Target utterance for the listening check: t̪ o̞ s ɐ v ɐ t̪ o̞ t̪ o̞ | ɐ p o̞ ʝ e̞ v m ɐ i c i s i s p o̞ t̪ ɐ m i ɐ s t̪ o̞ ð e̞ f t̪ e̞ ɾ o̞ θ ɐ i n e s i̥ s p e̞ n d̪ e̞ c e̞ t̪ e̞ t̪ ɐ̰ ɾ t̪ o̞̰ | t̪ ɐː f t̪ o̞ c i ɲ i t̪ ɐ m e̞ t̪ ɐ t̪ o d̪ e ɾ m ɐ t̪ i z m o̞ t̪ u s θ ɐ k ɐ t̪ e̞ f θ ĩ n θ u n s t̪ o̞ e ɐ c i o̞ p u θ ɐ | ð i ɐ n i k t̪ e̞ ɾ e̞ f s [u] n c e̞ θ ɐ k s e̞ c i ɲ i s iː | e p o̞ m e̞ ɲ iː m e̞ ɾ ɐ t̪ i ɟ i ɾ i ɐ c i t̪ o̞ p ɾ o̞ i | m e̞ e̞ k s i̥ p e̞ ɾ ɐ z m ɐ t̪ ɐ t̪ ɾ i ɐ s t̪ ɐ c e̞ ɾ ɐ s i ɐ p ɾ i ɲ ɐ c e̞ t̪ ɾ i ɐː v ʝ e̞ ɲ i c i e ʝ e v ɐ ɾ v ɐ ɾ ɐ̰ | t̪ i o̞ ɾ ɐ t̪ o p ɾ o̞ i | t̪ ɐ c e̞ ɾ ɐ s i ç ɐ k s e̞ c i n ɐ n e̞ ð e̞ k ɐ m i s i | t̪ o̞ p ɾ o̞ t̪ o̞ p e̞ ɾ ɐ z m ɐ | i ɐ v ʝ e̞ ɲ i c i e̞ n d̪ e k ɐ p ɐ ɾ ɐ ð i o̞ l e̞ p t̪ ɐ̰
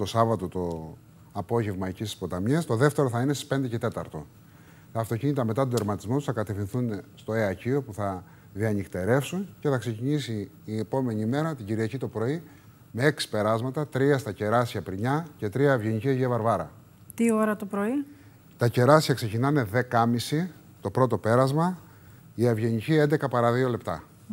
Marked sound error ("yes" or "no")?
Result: no